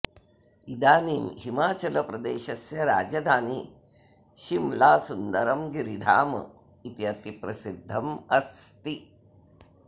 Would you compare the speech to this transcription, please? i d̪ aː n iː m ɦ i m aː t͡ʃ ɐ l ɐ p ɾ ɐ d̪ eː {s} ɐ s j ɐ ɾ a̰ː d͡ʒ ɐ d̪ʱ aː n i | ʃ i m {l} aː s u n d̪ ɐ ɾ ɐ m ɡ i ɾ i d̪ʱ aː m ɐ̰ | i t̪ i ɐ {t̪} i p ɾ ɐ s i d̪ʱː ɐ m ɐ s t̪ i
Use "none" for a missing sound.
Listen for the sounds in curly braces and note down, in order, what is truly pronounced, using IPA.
ʃ, l, t̪

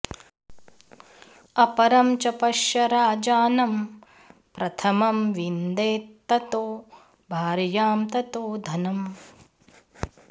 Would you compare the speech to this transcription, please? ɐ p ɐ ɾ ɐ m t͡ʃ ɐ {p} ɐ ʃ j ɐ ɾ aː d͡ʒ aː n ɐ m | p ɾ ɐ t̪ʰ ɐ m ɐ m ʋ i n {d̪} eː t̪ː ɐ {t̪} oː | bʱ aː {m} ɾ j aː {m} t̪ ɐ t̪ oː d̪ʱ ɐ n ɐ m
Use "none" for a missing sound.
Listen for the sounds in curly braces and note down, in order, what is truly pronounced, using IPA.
p, d̪, t̪, none, m

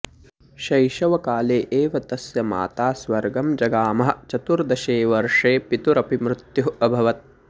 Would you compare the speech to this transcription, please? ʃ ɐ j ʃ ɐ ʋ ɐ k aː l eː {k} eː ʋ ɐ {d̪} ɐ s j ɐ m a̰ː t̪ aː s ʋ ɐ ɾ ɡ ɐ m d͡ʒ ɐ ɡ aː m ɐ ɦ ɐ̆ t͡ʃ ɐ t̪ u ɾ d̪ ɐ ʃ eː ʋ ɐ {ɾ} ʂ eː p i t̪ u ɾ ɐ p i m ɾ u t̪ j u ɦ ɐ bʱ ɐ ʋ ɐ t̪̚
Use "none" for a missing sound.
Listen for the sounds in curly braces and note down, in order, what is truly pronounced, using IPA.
ʔ, t̪, ɾ

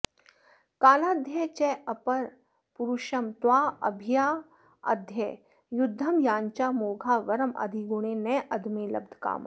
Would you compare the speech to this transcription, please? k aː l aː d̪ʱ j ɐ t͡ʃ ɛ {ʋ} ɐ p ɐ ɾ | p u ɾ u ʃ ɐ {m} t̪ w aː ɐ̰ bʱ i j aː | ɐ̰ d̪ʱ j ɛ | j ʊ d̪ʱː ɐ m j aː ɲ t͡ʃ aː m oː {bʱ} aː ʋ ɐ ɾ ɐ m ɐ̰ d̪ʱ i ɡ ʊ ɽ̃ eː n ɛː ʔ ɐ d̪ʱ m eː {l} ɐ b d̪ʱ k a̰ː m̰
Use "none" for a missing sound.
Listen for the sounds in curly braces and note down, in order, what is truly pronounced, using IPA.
none, m, ɡʱ, l

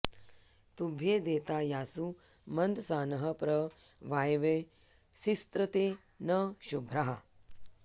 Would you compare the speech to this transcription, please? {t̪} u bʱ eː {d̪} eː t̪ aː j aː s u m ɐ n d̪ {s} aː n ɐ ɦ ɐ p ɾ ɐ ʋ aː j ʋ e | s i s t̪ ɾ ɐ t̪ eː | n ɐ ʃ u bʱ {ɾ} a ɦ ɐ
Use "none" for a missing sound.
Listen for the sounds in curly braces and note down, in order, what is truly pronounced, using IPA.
t̪, d̪, s, ɾ

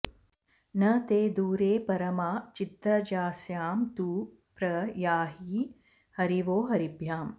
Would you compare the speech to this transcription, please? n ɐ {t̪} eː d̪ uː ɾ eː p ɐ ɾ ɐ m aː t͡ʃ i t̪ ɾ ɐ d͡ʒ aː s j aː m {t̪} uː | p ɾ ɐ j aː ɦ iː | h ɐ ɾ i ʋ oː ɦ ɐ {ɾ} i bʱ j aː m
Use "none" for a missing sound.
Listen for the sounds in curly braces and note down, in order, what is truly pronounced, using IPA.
t̪, t̪, ɾ

